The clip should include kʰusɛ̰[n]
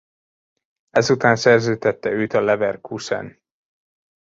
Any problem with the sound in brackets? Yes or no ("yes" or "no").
no